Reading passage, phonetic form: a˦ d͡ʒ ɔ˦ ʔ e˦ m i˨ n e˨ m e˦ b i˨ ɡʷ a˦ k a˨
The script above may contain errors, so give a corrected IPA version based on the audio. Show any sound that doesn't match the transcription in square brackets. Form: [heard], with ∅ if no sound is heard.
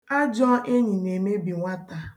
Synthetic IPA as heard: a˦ d͡ʒ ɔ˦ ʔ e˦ [ɲ] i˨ n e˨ m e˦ b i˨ [ŋʷ] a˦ [t] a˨

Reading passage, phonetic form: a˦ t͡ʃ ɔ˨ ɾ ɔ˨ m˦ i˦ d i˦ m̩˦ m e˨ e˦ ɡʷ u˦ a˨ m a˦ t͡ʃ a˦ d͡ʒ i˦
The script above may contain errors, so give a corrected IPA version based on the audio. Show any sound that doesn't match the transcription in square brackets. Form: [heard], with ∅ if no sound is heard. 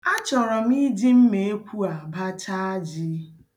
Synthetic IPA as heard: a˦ t͡ʃ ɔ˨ ɾ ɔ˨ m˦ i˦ d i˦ m̩˦ m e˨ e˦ [kʷ] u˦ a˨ [b] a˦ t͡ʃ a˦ d͡ʒ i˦

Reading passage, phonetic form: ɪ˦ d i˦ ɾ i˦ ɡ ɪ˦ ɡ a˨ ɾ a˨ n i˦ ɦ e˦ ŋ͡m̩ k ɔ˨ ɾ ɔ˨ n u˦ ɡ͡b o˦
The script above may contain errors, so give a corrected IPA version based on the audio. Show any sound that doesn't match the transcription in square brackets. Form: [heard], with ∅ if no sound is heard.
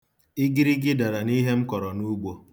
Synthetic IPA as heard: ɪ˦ [ɡ] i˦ ɾ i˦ ɡ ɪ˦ [d] a˨ ɾ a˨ n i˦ ɦ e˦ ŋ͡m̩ k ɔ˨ ɾ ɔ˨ n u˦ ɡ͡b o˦

